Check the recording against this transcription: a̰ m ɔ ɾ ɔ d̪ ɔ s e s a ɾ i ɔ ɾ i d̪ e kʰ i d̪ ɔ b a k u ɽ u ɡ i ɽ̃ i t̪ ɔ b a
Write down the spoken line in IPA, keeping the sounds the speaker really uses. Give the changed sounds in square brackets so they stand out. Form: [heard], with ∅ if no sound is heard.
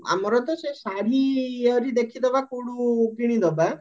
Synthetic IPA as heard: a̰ m ɔ ɾ ɔ [t̪] ɔ s e s a ɾ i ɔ ɾ i d̪ e kʰ i d̪ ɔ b a k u ɽ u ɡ i ɽ̃ i [d̪] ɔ b a